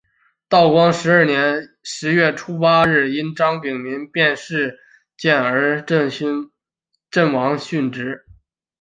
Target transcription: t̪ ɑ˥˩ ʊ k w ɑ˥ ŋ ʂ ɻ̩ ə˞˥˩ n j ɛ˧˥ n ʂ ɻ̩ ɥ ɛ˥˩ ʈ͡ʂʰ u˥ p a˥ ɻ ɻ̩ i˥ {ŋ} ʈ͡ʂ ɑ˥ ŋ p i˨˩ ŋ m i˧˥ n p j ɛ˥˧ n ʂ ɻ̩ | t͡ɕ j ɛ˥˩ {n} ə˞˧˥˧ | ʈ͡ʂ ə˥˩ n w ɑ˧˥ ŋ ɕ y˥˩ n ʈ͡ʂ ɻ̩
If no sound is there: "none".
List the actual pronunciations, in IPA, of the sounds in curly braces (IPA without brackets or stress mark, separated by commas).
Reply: n, n